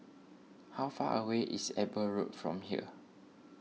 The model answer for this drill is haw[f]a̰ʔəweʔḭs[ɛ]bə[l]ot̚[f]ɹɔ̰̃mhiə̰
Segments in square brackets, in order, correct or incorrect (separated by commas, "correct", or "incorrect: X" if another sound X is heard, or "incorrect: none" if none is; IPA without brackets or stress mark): correct, correct, incorrect: ɹ, correct